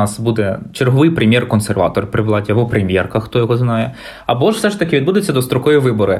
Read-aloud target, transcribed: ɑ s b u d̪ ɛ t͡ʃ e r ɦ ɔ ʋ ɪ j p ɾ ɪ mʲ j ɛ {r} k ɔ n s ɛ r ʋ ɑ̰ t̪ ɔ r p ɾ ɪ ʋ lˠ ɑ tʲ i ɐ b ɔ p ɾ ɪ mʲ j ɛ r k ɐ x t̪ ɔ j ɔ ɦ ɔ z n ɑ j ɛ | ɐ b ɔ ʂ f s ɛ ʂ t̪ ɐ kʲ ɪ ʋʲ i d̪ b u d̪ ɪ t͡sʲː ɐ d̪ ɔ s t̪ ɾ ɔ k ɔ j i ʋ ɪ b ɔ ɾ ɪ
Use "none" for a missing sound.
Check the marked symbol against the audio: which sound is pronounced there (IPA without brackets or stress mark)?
r